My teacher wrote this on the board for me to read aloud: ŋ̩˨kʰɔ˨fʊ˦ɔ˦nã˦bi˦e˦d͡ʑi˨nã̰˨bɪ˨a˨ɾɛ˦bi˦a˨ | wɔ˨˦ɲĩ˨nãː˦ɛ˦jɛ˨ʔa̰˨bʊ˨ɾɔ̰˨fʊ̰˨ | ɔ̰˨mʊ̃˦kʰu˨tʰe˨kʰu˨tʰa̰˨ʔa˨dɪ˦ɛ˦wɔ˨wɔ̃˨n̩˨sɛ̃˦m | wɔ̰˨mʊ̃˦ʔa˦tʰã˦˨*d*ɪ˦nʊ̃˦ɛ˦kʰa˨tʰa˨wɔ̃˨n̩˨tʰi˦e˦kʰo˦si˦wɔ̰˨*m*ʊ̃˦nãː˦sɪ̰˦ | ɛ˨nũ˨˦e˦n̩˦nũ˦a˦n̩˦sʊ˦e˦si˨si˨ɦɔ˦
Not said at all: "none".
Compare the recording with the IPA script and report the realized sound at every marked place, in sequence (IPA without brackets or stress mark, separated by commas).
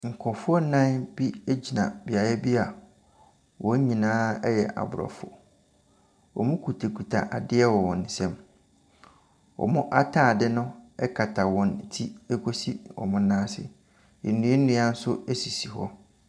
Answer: d, m